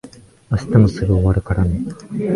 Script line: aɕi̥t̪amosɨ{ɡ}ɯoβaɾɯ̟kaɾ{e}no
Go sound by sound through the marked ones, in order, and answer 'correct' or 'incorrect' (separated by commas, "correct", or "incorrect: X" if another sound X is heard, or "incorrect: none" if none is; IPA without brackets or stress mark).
correct, incorrect: a